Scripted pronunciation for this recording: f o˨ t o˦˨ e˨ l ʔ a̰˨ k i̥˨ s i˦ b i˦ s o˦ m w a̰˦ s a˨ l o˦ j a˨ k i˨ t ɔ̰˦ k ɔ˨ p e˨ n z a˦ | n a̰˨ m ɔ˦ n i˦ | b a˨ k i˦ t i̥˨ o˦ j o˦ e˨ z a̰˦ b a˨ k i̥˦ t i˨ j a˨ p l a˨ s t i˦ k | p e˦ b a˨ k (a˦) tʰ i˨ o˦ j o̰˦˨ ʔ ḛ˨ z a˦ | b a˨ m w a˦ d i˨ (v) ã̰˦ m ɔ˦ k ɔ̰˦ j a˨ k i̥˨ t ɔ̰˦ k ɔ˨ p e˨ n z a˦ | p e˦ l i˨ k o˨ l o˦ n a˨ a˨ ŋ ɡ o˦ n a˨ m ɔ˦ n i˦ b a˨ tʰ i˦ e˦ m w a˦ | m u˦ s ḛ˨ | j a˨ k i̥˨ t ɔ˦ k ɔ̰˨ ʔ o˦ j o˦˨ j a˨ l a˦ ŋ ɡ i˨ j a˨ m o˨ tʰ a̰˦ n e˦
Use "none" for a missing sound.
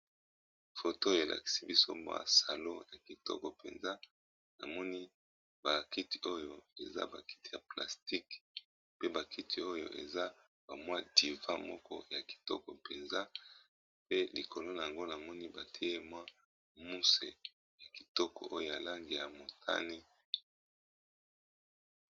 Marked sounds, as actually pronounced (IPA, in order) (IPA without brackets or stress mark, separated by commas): i˦, v